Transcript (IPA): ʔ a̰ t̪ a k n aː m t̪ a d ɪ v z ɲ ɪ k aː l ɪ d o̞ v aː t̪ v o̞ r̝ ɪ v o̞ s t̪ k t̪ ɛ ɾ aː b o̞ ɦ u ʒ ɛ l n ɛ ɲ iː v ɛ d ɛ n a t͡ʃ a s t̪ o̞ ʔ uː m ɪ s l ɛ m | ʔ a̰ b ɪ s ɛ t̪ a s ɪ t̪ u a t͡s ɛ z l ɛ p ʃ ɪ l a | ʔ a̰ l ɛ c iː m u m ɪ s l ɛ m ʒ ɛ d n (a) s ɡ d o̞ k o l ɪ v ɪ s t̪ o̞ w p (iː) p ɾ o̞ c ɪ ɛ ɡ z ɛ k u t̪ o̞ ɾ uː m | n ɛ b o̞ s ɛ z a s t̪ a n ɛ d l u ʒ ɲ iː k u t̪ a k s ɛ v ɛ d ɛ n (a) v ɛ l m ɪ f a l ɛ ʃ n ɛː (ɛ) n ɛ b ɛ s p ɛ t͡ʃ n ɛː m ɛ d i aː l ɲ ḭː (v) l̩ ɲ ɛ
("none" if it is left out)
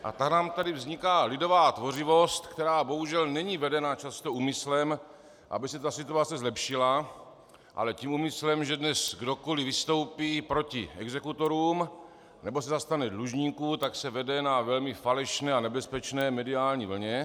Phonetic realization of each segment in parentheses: ɛ, iː, a, a, v

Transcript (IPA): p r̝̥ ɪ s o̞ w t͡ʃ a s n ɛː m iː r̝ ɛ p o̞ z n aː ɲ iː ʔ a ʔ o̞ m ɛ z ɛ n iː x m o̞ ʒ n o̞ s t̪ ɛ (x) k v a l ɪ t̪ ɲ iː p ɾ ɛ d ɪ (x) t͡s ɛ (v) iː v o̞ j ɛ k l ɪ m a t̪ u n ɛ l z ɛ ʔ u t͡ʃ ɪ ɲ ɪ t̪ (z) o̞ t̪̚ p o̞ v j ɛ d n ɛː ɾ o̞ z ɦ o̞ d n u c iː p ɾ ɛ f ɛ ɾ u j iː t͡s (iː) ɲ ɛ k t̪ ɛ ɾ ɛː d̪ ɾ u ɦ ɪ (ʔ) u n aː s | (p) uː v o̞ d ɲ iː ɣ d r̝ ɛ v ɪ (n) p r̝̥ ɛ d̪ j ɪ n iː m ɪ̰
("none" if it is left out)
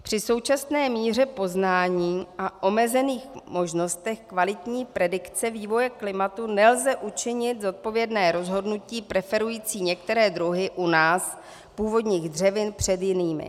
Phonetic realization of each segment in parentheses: x, k, v, z, iː, ʔ, p, n

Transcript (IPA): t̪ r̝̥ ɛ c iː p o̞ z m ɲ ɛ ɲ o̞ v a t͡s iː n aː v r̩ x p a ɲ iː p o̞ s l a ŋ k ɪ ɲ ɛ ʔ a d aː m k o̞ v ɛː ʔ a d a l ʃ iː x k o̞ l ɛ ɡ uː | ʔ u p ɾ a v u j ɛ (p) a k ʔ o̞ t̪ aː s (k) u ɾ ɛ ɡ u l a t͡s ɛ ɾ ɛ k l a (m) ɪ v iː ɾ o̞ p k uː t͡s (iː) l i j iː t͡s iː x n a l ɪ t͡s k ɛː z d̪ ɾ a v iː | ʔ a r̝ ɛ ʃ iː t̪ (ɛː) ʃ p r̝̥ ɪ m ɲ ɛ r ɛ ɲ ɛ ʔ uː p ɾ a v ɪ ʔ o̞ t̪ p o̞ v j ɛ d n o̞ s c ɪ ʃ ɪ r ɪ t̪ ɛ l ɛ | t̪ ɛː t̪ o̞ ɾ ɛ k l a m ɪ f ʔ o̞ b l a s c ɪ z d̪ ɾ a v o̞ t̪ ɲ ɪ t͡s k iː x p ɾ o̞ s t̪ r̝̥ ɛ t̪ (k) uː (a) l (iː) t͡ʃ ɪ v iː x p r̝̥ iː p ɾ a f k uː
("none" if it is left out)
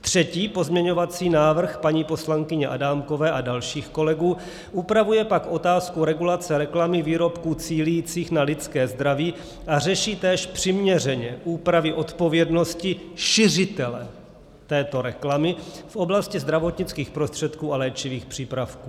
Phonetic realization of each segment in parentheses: p, k, m, iː, ɛː, k, a, ɛː

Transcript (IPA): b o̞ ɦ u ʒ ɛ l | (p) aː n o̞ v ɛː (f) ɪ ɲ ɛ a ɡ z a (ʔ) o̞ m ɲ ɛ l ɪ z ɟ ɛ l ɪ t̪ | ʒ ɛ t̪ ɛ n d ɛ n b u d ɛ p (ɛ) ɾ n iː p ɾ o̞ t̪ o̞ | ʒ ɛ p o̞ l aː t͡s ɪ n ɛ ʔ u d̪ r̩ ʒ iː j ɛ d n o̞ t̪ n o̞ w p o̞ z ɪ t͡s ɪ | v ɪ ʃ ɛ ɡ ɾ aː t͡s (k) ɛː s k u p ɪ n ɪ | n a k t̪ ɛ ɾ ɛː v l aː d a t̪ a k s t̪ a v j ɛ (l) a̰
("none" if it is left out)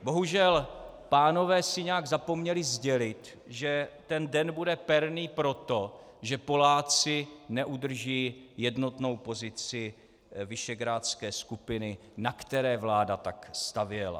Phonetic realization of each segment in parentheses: p, s, p, ɛ, k, l

